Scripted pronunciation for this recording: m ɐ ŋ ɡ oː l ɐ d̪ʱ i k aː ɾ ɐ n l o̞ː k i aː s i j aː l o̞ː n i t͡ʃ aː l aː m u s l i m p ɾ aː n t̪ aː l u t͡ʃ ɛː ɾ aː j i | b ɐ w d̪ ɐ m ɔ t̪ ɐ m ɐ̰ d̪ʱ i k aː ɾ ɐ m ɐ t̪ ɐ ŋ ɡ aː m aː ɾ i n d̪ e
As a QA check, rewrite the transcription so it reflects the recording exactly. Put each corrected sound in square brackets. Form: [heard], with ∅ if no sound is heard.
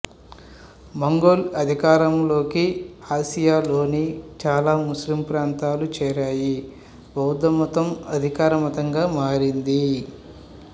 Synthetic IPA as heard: m ɐ ŋ ɡ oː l ɐ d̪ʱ i k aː ɾ ɐ [m] l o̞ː k i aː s i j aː l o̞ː n i t͡ʃ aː l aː m u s l i m p ɾ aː n t̪ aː l u t͡ʃ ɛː ɾ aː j i | b ɐ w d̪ ɐ m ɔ t̪ ɐ m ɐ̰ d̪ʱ i k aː ɾ ɐ m ɐ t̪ ɐ ŋ ɡ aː m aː ɾ i n d̪ [i]